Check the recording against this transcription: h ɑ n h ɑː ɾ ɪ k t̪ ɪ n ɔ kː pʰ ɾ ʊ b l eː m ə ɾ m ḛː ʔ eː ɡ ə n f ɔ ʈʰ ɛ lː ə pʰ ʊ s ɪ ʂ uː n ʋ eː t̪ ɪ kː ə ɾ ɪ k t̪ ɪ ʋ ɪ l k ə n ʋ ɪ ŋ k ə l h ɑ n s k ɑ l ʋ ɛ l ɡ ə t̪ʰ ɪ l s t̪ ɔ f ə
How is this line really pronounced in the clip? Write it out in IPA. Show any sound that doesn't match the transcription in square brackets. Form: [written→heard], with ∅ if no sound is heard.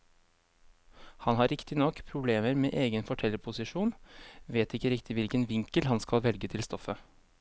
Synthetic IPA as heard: h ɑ n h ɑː ɾ ɪ k t̪ ɪ n ɔ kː pʰ ɾ ʊ b l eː m ə ɾ m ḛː ʔ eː ɡ ə n f ɔ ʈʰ ɛ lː ə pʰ ʊ s ɪ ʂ uː n ʋ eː t̪ ɪ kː ə ɾ ɪ k t̪ ɪ ʋ ɪ l k ə n ʋ ɪ ŋ k ə l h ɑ n s k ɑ l ʋ ɛ l ɡ ə t̪ʰ ɪ l s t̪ ɔ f ə